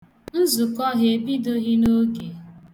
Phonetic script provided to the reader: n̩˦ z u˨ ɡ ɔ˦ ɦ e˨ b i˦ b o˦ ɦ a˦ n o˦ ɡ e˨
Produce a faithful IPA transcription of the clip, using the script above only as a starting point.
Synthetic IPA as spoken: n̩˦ z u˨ k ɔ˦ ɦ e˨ b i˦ d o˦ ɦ i˦ n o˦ ɡ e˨